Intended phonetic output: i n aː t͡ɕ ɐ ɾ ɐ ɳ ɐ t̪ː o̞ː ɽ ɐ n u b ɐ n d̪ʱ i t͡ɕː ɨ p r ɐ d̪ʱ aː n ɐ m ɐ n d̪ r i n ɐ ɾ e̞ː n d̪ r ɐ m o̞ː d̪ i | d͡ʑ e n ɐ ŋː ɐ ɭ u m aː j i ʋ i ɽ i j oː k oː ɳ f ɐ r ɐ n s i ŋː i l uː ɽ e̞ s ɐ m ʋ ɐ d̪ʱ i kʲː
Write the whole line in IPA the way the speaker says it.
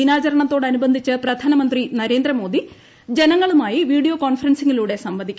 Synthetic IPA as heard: i n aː t͡ɕ ɐ ɾ ɐ ɳ ɐ t̪ː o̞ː ɽ ɐ n u b ɐ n d̪ʱ i t͡ɕː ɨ p r ɐ d̪ʱ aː n ɐ m ɐ n d̪ r i n ɐ ɾ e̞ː n d̪ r ɐ m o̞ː d̪ i | d͡ʑ e n ɐ ŋː ɐ ɭ u m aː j i ʋ iː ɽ i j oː k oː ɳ f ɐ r ɐ n s i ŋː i l uː ɽ e̞ s ɐ m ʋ ɐ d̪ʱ i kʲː